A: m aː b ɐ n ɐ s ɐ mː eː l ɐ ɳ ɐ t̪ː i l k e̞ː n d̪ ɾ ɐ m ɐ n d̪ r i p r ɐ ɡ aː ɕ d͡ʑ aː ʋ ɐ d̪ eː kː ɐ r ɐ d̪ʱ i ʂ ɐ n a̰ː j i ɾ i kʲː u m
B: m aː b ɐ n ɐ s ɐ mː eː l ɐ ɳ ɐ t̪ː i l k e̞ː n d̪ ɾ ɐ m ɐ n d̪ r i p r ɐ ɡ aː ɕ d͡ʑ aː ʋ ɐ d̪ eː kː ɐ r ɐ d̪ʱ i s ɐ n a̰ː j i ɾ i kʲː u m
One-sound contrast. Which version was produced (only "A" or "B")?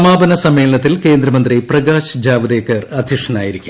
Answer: A